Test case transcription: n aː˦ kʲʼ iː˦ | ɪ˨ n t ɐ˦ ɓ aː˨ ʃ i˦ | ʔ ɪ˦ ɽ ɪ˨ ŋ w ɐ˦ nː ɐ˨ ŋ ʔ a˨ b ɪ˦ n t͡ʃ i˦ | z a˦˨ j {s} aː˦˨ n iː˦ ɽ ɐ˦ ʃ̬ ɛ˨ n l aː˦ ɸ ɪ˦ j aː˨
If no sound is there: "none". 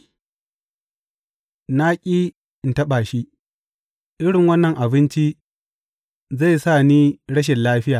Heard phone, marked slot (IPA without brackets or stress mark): s